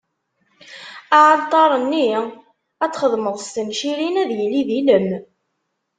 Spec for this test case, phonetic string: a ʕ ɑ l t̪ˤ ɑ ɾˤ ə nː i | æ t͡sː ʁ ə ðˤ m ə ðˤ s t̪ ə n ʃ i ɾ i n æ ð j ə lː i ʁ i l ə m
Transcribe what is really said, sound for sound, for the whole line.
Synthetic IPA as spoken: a ʕ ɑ l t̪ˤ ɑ ɾˤ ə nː i | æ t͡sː χ ə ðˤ m ə ðˤ s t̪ ə n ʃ i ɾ i n æ ð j ə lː i ð i l ə m